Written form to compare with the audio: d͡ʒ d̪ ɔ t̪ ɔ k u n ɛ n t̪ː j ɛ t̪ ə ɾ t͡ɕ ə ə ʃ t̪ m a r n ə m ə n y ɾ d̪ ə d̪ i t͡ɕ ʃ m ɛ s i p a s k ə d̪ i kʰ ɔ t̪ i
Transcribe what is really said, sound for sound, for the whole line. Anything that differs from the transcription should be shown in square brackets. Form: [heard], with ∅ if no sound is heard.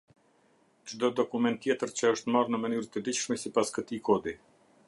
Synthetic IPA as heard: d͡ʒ d̪ ɔ [d̪] ɔ k u [m] ɛ n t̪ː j ɛ t̪ ə ɾ t͡ɕ ə ə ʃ t̪ m a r n ə m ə n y ɾ [t̪] ə d̪ i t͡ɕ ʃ m ɛ s i p a s k ə [t̪] i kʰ ɔ [d̪] i